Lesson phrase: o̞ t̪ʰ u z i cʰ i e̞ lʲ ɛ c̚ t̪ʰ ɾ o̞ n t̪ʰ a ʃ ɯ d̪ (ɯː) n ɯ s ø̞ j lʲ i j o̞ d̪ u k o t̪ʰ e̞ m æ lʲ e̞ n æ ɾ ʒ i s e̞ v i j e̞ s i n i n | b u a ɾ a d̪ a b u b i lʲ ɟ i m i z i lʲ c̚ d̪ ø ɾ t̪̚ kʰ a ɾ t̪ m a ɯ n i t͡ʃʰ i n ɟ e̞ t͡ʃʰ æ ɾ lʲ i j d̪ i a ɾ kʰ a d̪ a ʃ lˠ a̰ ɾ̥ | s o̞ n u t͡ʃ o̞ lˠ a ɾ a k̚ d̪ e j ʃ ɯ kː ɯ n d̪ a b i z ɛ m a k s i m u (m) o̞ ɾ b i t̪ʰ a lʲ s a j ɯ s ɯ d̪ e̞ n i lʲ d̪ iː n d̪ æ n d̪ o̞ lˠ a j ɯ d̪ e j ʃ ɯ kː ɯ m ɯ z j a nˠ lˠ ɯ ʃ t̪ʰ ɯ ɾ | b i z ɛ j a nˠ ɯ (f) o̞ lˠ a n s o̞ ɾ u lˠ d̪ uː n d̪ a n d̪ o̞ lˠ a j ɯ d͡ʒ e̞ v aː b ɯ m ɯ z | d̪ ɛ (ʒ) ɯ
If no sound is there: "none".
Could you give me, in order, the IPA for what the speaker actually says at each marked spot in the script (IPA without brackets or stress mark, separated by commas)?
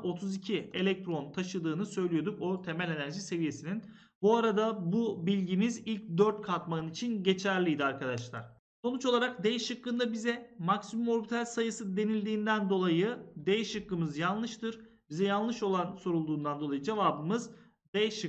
ɯː, m, ʃ, ʃ